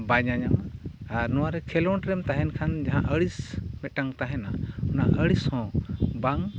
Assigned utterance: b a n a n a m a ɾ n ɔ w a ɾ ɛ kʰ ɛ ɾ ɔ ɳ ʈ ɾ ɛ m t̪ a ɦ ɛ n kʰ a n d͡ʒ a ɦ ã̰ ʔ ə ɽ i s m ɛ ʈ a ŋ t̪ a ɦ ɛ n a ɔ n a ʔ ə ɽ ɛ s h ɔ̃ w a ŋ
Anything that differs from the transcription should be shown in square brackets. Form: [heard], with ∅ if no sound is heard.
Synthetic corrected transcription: b a [ɲ] a [ɲ] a m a ɾ n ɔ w a ɾ ɛ kʰ ɛ [l] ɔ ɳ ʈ ɾ ɛ m t̪ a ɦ ɛ n kʰ a n d͡ʒ a ɦ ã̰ ʔ ə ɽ i s m ɛ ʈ a ŋ t̪ a ɦ ɛ n a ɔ n a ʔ ə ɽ [i] s h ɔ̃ [b] a ŋ